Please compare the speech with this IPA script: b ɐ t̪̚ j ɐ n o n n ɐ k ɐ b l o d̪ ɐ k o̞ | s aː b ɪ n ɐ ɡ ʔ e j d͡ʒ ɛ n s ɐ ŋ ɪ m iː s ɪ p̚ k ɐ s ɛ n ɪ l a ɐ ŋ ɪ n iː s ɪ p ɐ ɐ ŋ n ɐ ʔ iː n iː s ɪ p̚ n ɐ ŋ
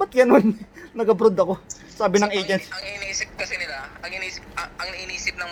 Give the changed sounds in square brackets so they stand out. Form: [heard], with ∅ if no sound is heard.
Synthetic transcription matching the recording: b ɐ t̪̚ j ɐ n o n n ɐ [ɡ] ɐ b [ɾ] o d̪ ɐ k o̞ | s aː b ɪ n ɐ [ŋ] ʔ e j d͡ʒ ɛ n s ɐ ŋ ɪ [n] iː s ɪ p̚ k ɐ s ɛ n ɪ l a ɐ ŋ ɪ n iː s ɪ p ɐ ɐ ŋ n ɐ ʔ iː n iː s ɪ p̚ n ɐ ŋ